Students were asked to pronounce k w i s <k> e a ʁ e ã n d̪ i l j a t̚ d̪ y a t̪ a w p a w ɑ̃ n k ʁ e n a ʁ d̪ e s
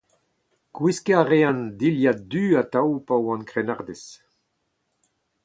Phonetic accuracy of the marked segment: correct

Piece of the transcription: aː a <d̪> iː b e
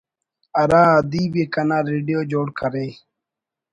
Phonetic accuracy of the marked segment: correct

